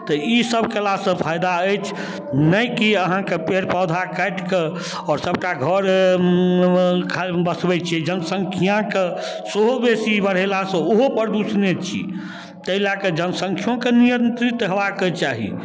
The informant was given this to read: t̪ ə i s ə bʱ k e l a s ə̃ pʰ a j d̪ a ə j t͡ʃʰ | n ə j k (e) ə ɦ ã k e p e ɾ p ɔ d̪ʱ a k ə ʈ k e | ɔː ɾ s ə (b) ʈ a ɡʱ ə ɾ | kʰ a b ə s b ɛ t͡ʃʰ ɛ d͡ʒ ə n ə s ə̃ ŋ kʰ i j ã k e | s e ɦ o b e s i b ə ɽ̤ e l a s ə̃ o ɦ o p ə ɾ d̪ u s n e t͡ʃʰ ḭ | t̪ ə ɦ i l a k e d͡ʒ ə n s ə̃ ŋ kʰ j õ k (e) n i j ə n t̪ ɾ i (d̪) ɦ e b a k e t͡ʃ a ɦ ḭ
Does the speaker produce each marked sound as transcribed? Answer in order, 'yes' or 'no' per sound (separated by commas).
no, yes, yes, no